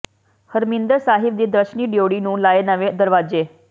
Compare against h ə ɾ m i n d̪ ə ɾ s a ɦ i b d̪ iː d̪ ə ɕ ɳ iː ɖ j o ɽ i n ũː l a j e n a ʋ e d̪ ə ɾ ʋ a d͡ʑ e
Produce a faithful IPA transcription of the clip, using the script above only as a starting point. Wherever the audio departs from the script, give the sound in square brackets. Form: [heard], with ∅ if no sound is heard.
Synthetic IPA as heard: h ə ɾ m i n d̪ ə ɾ s a ɦ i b d̪ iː d̪ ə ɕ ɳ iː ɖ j o ɽ i n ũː l a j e n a ʋ e d̪ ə ɾ ʋ a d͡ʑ e